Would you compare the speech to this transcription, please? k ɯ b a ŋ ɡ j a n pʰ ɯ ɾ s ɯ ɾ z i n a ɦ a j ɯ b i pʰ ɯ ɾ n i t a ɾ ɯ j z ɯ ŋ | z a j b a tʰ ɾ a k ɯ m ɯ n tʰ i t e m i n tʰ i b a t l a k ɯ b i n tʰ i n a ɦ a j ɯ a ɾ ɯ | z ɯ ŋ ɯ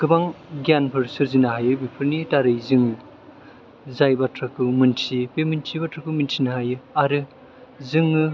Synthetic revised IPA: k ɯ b a ŋ ɡ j a n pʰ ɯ ɾ s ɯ ɾ z i n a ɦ a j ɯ b i pʰ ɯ ɾ n i t a ɾ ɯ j z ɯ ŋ | z a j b a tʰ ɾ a k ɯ m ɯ n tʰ i p e m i n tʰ i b a t ɾ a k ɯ m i n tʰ i n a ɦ a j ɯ a ɾ ɯ | z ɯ ŋ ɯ

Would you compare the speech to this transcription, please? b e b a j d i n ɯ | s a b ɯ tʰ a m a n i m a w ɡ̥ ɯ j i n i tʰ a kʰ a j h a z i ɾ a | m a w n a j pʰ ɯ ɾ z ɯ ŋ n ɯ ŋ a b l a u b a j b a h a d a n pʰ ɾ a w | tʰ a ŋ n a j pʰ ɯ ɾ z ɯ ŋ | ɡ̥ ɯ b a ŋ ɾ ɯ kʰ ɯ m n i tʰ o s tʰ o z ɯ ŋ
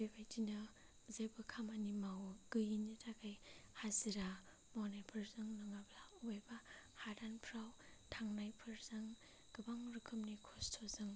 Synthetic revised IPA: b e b a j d i n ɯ | z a b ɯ kʰ a m a n i m a w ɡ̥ ɯ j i n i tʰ a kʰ a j h a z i ɾ a | m a w n a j pʰ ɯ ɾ z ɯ ŋ n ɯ ŋ a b l a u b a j b a h a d a n pʰ ɾ a w | tʰ a ŋ n a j pʰ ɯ ɾ z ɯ ŋ | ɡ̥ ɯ b a ŋ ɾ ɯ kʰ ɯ m n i kʰ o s tʰ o z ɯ ŋ

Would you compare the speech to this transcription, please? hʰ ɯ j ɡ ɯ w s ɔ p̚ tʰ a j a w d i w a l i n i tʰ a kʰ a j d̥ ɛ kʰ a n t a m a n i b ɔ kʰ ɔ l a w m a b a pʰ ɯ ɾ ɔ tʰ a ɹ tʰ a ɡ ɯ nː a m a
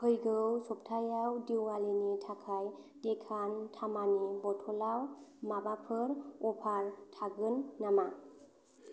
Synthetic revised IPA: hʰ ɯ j ɡ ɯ w s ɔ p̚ tʰ a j a w d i w a l i n i tʰ a kʰ a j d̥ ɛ kʰ a n tʰ a m a n i b ɔ tʰ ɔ l a w m a b a pʰ ɯ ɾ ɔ pʰ a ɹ tʰ a ɡ ɯ nː a m a

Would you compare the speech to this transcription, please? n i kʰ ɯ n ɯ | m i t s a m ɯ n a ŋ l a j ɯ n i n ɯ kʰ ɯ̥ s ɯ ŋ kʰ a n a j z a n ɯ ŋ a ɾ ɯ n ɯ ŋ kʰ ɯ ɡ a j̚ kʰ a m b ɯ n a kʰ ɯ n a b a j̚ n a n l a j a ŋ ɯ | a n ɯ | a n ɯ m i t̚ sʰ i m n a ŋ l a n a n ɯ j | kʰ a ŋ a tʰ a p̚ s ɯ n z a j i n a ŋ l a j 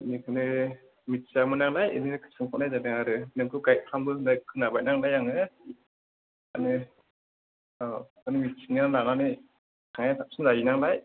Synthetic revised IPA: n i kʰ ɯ n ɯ | m i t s a m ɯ n a ŋ l a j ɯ n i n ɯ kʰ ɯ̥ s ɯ ŋ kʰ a n a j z a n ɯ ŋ a ɾ ɯ n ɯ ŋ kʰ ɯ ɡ a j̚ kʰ a m b ɯ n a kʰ ɯ n a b a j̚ n a ŋ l a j a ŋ ɯ | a n ɯ | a n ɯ m i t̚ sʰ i ŋ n a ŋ l a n a n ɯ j | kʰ a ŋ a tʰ a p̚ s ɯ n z a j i n a ŋ l a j

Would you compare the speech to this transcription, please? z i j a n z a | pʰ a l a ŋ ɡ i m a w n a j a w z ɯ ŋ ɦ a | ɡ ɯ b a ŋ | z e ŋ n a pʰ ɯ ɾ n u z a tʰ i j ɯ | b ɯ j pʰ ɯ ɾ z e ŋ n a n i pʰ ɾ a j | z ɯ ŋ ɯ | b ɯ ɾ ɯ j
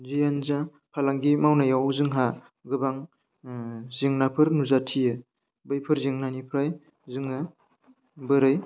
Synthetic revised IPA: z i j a n z a | pʰ a l a ŋ ɡ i m a w n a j a w z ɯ ŋ ɦ a | ɡ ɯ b a ŋ | z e ŋ n a pʰ ɯ ɾ n u z a tʰ i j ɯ | b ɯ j pʰ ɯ ɾ z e ŋ n a n i pʰ ɾ a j | z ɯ ŋ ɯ | b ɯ ɾ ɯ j

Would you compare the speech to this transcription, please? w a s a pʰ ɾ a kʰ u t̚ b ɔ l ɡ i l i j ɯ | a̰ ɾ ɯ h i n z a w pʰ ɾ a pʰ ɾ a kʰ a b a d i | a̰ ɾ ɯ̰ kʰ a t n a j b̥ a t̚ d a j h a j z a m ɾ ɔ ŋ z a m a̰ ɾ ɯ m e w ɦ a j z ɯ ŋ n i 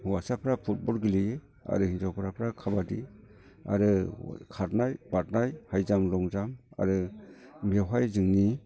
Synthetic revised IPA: w a s a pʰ ɾ a pʰ u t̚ b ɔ l ɡ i l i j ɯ | a̰ ɾ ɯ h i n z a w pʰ ɾ a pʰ ɾ a kʰ a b a d i | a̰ ɾ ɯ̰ kʰ a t n a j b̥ a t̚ n a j h a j z a m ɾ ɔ ŋ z a m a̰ ɾ ɯ m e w ɦ a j z ɯ ŋ n i

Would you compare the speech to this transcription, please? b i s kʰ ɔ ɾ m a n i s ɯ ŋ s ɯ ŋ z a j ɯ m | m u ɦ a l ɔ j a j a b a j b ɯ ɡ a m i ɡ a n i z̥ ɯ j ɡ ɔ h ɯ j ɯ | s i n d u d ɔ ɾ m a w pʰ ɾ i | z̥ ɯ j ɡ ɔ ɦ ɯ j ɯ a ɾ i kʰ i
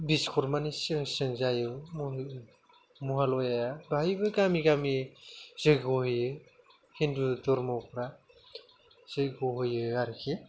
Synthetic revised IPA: b i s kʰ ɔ ɾ m a n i s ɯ ŋ s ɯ ŋ z a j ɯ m | m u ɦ a l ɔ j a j a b a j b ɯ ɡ a m i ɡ a m i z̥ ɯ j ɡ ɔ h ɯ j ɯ | h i n d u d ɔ ɾ m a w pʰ ɾ a | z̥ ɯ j ɡ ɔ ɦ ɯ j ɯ a ɾ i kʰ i

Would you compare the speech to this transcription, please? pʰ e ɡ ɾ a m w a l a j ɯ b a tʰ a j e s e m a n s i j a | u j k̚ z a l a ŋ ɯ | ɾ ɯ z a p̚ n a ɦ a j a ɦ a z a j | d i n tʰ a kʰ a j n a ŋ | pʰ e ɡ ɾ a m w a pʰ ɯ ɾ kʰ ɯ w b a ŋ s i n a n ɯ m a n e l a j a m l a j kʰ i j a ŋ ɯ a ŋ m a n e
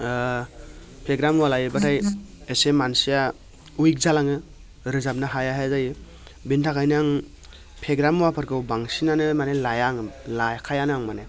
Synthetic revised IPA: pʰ e ɡ ɾ a m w a l a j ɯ b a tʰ a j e s e m a n s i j a | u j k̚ z a l a ŋ ɯ | ɾ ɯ z a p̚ n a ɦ a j a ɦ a z a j | b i n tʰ a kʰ a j n a ŋ | pʰ e ɡ ɾ a m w a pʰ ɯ ɾ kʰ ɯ w b a ŋ s i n a n ɯ m a n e l a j a ŋ l a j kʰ a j a n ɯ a ŋ m a n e

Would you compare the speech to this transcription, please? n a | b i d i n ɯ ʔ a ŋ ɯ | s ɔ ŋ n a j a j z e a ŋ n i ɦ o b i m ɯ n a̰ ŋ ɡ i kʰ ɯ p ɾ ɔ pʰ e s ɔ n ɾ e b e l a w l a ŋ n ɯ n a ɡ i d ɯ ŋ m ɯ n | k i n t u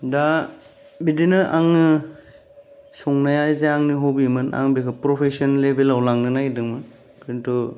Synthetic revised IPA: d a | b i d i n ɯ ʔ a ŋ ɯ | s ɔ ŋ n a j a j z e a ŋ n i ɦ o b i m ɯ n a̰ ŋ b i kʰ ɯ p ɾ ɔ pʰ e s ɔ n l e b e l a w l a ŋ n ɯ n a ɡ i d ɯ ŋ m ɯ n | k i n t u

